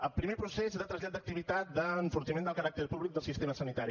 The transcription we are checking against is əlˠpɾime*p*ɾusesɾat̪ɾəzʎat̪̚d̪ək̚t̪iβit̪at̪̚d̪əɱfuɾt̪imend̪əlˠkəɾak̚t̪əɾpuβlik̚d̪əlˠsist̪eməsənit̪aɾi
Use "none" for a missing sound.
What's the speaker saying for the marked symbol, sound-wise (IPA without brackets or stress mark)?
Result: p